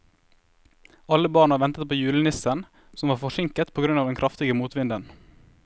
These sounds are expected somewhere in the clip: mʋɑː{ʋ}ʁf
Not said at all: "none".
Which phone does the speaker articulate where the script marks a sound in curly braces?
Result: none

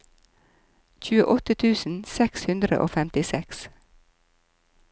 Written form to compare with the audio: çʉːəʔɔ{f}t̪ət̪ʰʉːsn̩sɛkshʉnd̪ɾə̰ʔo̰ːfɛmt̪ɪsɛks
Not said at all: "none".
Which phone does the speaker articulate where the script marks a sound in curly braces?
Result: none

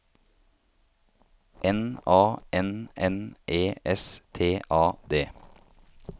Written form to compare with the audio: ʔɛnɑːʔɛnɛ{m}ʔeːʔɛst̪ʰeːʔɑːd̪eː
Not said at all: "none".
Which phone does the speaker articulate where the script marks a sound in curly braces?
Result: n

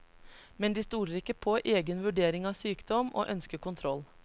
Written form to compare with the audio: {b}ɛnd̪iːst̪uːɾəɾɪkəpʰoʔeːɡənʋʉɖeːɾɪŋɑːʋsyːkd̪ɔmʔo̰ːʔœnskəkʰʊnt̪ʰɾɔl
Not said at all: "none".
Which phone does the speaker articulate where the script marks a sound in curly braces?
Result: m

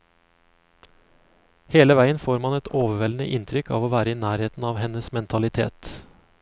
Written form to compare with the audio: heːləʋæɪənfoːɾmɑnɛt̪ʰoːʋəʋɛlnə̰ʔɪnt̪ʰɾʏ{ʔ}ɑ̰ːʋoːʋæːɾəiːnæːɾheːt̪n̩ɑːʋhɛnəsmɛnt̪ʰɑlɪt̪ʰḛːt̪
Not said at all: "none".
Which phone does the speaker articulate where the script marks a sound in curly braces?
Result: k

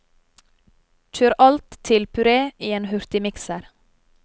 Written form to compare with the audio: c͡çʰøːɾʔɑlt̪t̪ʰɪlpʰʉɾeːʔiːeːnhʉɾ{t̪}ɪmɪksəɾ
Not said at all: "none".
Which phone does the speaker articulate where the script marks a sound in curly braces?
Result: t̪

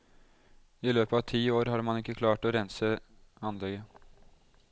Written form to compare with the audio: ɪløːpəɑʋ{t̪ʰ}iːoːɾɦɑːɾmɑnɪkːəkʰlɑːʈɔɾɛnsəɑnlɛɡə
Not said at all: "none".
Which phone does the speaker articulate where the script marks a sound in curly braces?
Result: t̪ʰ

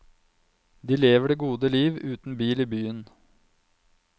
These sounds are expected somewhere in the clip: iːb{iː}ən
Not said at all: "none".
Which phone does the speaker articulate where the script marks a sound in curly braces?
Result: yː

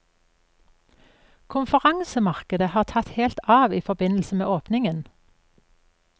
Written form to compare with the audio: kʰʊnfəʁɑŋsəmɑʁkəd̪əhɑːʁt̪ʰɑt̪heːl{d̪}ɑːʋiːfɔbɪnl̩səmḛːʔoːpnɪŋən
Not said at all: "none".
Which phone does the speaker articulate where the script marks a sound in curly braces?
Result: t̪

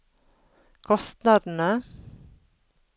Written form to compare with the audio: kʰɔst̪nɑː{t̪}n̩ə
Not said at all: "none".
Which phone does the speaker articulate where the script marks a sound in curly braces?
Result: d̪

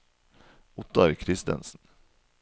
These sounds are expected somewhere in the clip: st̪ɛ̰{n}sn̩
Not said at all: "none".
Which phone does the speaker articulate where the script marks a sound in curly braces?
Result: n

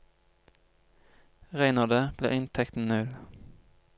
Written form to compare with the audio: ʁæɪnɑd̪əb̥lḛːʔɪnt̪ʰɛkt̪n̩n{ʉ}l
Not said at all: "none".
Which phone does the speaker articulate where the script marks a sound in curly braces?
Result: ʉ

